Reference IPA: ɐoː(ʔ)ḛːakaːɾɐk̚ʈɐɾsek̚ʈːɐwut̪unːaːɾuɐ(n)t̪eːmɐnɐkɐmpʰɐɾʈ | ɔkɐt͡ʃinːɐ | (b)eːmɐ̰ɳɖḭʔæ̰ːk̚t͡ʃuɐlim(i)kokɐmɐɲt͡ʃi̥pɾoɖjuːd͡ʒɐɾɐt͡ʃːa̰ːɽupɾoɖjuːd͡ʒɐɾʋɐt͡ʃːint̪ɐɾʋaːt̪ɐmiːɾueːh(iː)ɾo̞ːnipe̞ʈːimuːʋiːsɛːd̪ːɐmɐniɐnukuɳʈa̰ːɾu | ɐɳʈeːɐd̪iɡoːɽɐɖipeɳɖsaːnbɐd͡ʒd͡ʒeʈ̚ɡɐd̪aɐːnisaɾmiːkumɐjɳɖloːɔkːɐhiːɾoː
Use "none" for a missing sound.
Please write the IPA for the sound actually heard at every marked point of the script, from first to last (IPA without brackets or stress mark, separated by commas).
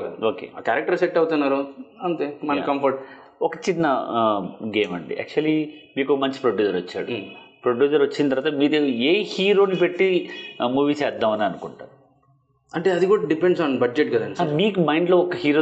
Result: k, n, ɡ, iː, iː